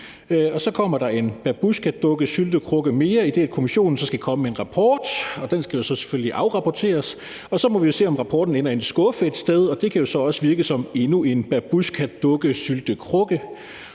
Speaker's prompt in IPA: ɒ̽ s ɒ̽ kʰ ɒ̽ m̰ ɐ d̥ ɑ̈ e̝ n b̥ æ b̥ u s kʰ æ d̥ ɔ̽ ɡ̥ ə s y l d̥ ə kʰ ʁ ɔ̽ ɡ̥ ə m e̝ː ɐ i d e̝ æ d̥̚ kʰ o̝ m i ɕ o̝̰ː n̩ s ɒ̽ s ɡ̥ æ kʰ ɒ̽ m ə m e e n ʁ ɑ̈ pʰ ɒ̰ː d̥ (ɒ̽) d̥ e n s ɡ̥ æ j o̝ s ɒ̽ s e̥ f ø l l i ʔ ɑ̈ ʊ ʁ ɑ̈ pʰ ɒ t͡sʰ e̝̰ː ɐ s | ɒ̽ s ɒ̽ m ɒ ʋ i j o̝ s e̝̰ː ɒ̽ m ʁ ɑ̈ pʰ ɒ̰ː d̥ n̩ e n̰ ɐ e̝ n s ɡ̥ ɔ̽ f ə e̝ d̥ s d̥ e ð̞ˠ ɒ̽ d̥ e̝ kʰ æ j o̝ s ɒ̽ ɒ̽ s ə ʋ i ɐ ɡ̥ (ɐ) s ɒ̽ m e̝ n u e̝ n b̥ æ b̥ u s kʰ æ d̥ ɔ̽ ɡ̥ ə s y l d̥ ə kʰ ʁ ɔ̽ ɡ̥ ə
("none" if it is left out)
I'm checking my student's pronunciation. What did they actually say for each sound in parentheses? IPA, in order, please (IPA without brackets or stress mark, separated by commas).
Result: ɒ̽, ə